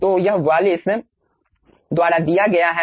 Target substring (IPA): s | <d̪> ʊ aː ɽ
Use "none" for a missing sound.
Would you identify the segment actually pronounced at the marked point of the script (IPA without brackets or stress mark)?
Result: d̪